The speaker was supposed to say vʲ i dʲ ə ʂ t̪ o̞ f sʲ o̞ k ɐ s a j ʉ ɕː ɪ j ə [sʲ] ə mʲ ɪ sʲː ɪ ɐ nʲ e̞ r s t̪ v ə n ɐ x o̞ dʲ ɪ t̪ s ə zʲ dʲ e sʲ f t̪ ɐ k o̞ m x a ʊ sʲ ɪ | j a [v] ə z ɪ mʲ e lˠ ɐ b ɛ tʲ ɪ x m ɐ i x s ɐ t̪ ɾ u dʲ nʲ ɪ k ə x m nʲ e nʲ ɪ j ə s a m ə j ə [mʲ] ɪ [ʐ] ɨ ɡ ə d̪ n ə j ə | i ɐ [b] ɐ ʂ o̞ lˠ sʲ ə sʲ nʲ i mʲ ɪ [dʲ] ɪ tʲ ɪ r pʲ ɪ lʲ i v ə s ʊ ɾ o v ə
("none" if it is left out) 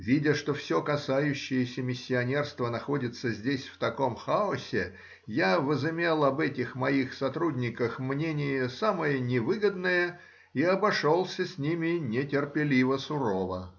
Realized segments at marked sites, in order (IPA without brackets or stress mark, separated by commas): sʲ, v, nʲ, v, b, nʲ